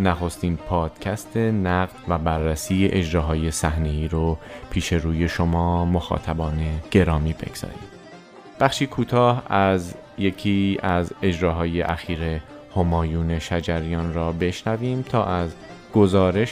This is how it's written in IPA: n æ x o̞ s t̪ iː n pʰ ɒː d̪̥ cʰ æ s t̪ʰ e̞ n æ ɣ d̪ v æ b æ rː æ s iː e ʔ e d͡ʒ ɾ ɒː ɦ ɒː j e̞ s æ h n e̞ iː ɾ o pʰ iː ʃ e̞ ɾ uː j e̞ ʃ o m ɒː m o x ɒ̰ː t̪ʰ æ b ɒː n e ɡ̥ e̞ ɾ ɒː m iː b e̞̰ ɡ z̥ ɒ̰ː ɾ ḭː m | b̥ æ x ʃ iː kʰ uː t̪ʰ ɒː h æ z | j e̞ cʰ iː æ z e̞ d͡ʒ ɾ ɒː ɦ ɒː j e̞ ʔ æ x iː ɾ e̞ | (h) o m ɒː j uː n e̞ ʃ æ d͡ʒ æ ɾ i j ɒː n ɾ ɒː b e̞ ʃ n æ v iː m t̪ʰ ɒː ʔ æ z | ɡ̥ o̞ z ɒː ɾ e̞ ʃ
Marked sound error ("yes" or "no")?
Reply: no